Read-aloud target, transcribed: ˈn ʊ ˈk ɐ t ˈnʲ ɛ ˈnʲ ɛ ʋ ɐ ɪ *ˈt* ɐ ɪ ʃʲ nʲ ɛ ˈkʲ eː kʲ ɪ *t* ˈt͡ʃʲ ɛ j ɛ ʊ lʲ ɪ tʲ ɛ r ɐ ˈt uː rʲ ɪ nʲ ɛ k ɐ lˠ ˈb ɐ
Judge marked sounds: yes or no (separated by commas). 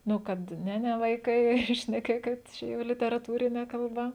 no, yes